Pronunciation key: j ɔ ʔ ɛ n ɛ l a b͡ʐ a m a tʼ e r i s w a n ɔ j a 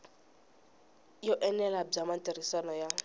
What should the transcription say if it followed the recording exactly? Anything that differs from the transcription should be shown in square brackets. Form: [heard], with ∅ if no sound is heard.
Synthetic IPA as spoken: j ɔ ʔ ɛ n ɛ l a b͡ʐ a m a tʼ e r i s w a n ɔ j a